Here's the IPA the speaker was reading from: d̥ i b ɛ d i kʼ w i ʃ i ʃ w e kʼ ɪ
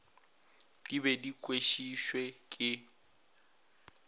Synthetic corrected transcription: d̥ i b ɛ d i kʼ w e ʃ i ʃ w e kʼ ɪ